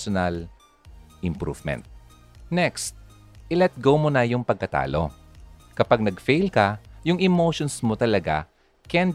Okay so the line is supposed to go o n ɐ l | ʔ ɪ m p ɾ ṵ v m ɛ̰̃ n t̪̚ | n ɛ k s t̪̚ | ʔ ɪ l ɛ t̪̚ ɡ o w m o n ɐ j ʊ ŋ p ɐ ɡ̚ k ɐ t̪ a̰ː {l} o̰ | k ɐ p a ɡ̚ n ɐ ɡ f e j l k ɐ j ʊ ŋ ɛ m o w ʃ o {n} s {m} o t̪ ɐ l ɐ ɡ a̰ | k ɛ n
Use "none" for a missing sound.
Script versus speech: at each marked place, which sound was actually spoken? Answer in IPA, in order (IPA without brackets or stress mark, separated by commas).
l, n, m